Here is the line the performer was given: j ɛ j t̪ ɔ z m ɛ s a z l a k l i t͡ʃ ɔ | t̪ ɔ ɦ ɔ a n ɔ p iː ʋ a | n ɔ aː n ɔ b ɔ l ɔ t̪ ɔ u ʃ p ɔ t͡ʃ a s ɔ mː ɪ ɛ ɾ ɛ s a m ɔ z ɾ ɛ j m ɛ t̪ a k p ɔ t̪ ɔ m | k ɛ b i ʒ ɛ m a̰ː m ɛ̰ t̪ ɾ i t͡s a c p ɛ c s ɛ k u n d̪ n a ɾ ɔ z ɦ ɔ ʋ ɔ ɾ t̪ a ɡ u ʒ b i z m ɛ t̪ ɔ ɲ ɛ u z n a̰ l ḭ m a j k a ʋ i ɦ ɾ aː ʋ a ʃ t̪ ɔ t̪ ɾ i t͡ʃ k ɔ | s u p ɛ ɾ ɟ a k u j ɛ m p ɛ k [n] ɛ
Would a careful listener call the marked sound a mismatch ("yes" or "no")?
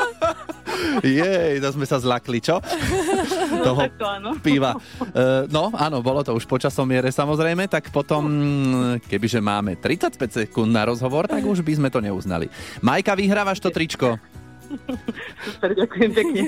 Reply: yes